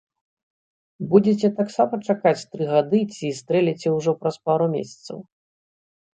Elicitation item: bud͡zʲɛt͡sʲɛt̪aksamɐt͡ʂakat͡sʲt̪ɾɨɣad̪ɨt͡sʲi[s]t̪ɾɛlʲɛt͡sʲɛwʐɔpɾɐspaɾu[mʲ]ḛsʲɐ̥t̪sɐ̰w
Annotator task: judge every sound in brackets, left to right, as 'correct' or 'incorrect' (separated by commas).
correct, correct